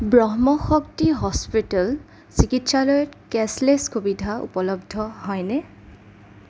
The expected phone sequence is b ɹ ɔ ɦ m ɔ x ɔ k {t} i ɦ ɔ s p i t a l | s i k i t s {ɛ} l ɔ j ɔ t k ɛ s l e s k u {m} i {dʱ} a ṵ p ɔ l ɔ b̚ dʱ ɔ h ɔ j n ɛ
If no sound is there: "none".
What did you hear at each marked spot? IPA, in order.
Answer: t, a, b, dʱ

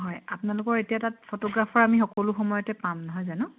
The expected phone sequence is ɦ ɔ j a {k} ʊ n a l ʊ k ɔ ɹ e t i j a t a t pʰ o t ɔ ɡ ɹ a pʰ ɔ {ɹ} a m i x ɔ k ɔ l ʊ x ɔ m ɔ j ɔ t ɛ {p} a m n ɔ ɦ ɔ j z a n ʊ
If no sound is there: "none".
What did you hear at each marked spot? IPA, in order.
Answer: p, ɹ, p

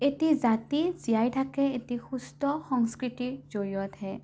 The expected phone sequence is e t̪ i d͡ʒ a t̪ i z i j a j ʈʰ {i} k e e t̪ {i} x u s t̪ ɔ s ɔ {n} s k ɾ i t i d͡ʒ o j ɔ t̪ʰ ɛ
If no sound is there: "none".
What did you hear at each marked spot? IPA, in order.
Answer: a, i, ŋ

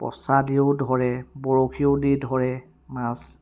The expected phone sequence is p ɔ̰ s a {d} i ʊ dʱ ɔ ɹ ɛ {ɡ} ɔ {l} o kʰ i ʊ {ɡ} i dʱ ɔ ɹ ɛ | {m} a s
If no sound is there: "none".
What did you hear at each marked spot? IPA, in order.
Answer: d, b, ɹ, d, m

